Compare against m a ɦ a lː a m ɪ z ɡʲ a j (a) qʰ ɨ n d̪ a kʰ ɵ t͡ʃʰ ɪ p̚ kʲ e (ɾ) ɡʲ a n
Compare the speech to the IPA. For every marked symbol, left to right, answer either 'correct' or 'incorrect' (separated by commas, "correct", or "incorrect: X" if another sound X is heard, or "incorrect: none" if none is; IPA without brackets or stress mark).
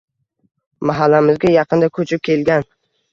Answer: incorrect: ɑ, incorrect: l